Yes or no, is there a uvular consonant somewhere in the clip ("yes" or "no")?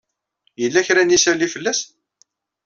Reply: no